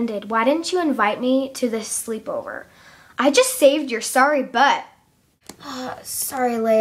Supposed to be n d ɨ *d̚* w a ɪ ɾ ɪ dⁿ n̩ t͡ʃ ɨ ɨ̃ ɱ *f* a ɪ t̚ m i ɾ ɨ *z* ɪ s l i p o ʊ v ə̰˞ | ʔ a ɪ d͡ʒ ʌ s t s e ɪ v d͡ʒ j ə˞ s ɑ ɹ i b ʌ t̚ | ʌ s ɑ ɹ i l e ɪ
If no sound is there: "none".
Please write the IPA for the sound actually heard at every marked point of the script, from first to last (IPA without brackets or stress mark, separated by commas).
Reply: d̚, v, ð